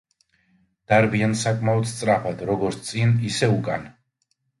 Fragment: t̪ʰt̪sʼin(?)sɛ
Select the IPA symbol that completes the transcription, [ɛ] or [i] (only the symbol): i